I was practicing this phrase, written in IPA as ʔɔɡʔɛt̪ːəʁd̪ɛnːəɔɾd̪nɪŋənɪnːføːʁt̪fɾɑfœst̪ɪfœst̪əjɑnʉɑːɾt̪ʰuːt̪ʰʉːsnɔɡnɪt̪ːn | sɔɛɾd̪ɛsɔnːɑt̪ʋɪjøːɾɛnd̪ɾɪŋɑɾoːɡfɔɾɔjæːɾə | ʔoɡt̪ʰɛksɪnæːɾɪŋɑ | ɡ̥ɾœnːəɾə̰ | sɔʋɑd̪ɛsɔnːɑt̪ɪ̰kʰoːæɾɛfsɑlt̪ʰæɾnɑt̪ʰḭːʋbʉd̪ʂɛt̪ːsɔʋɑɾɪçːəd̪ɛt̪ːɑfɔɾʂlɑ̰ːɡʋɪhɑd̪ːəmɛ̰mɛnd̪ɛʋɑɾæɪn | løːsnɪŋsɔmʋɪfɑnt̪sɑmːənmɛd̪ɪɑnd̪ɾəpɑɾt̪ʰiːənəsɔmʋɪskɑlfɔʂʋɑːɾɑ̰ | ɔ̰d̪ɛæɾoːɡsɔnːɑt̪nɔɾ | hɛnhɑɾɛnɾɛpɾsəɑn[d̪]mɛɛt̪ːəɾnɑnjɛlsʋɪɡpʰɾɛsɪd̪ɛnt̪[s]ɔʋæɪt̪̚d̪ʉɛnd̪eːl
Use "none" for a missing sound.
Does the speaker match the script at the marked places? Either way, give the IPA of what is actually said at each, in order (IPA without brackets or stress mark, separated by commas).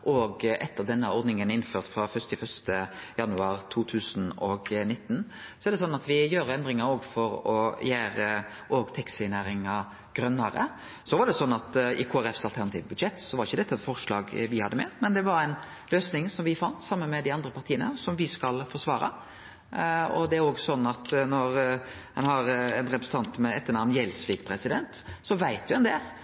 t̪, s